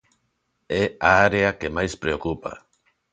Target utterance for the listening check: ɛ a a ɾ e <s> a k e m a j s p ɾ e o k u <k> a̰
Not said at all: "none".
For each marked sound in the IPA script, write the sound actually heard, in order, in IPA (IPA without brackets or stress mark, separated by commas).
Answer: none, p